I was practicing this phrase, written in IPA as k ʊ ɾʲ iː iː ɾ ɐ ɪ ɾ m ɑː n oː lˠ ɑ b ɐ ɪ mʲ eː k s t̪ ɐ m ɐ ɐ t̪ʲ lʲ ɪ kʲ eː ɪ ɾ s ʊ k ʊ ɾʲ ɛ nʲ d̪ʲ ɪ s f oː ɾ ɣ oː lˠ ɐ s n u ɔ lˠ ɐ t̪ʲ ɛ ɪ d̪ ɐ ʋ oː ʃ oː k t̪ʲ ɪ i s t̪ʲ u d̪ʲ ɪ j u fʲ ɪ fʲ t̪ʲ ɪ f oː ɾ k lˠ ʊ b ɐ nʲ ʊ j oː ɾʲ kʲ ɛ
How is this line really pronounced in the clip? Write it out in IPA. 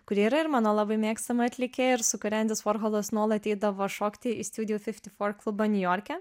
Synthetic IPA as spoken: k ʊ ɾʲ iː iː ɾ ɐ ɪ ɾ m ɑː n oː lˠ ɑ b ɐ ɪ mʲ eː k s t̪ ɐ m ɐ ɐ t̪ʲ lʲ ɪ kʲ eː ɪ ɾ s ʊ k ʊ ɾʲ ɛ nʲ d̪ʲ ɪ s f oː ɾ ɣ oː lˠ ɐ s n u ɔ lˠ ɐ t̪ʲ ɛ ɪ d̪ ɐ ʋ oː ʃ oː k t̪ʲ ɪ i s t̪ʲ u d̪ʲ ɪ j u fʲ ɪ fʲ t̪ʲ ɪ f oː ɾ k lˠ ʊ b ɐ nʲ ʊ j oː ɾʲ kʲ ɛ